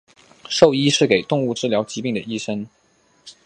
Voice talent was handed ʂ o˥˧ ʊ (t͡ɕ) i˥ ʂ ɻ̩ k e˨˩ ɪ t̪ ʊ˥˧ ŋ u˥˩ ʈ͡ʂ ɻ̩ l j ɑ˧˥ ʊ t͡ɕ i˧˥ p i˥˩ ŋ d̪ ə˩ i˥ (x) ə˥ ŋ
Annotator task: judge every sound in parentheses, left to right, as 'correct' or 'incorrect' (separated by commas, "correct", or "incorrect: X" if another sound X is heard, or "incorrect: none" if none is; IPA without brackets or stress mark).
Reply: incorrect: none, incorrect: ʂ